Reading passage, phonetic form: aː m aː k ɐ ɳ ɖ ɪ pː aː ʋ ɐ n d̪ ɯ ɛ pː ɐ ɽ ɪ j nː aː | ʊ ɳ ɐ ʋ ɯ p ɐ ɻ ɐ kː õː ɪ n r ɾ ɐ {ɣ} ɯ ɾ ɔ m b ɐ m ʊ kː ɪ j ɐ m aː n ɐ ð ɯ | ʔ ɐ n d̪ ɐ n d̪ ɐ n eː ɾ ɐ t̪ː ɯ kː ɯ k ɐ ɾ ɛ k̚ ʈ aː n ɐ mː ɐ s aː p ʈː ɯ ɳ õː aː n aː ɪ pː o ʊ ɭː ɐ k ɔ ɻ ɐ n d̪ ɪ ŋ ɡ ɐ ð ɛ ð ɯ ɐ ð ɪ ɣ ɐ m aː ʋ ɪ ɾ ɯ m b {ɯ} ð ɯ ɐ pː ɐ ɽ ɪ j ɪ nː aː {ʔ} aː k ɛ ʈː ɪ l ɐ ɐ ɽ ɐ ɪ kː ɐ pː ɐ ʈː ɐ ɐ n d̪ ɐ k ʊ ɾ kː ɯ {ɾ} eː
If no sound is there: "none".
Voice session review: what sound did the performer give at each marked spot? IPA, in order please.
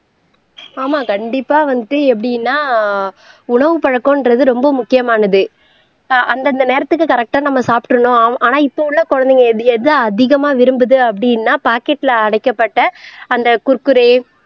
ð, ɯ, p, ɾ

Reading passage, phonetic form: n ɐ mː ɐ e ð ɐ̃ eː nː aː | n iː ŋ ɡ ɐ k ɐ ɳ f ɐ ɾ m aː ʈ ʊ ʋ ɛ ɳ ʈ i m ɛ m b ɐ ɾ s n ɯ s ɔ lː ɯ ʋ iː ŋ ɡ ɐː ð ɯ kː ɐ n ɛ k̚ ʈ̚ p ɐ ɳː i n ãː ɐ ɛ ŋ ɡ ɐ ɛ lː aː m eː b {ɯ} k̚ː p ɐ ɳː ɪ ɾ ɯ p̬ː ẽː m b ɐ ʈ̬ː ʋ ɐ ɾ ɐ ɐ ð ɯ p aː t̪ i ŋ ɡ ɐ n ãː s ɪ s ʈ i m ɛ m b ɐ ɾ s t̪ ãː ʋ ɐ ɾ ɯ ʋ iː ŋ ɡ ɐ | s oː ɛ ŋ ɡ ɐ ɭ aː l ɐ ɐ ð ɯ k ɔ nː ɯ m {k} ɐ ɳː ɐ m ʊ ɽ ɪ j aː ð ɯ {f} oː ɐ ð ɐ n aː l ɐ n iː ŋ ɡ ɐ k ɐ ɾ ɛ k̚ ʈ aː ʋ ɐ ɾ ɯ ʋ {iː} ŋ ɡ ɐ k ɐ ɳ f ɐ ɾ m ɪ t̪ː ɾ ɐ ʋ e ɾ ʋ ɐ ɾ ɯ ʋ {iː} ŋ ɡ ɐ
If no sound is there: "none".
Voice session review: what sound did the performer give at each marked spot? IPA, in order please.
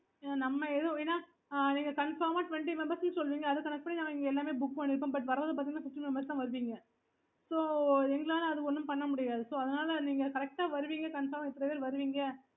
ʊ, p, s, iː, iː

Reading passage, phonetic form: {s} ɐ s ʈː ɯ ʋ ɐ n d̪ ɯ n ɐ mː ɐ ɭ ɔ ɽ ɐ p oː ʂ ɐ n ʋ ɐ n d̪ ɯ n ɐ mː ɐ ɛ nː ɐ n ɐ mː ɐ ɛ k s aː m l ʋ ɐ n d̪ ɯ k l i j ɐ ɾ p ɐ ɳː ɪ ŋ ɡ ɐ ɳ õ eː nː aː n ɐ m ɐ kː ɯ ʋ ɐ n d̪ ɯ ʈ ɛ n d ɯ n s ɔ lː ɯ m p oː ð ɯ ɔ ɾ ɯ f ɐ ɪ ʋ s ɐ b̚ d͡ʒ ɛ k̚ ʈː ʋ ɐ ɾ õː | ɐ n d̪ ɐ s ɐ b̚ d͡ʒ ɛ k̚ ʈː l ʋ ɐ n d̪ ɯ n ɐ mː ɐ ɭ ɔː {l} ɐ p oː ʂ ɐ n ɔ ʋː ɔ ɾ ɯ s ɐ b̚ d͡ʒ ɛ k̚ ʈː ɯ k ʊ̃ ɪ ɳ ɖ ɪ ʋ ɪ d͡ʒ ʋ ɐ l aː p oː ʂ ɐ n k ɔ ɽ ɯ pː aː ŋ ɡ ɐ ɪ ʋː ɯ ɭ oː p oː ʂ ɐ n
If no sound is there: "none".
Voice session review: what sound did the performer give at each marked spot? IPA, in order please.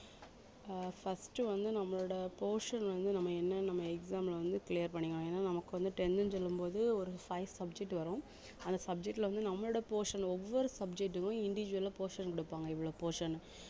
f, ɽ

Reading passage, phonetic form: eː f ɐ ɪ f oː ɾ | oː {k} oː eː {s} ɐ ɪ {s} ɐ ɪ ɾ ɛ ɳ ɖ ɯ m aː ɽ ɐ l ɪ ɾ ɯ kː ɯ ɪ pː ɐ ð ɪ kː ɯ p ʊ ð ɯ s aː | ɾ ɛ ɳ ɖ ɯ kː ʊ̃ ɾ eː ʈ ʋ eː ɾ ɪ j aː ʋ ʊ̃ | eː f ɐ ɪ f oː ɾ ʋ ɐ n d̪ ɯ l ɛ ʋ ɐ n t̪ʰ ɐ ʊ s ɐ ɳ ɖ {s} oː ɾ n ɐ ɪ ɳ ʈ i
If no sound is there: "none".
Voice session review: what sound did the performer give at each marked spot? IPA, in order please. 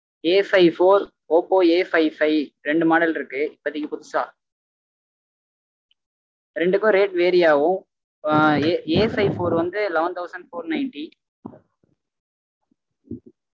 p, f, f, f

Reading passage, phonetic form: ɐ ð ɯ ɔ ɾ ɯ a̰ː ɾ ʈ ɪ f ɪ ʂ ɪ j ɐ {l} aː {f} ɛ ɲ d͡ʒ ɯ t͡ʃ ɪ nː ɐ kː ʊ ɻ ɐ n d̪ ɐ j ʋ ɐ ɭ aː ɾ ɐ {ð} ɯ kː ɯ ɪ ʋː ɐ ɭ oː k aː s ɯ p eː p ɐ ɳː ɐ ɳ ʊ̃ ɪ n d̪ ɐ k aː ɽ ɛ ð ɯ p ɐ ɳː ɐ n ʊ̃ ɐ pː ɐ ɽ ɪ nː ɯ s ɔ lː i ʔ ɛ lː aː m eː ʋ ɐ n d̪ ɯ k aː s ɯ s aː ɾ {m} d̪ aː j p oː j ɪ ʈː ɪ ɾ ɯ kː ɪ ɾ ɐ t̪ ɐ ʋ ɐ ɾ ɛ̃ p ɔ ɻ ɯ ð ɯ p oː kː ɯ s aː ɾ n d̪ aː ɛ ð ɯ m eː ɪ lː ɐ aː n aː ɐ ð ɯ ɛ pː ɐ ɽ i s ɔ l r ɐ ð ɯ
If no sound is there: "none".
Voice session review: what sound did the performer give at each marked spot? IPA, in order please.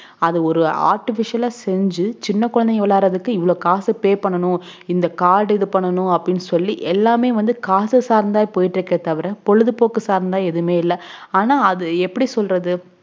l, s, ð, n

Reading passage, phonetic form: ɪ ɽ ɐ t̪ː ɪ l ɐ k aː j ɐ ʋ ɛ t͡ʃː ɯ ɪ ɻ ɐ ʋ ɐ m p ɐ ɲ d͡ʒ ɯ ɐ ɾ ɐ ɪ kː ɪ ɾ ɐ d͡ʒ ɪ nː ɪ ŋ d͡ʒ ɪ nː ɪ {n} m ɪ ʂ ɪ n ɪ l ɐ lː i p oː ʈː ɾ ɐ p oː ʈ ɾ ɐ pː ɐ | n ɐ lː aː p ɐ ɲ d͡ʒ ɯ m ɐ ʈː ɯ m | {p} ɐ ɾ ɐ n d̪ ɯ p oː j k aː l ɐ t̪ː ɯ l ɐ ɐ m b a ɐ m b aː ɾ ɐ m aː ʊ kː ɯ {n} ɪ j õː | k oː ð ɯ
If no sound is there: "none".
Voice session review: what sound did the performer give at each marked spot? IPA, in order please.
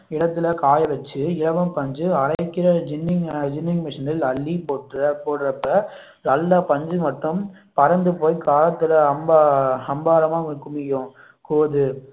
ŋ, p, m

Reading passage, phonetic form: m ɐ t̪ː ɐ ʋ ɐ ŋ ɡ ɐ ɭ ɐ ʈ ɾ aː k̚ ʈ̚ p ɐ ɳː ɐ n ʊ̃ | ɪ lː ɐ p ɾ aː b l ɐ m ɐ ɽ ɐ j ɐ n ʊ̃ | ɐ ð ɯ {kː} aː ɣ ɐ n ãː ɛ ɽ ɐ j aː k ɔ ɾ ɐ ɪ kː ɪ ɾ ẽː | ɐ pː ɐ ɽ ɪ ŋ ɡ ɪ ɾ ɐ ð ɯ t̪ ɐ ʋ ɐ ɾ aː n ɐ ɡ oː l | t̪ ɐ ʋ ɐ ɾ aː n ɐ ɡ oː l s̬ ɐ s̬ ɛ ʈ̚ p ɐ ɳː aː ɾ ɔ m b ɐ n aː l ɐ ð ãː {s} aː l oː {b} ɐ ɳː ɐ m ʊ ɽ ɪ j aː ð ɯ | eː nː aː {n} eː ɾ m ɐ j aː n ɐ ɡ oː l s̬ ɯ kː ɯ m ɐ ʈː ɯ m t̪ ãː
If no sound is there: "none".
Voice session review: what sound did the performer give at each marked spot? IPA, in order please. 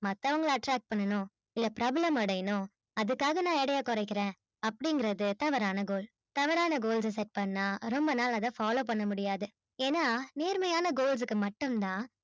kː, f, p, n

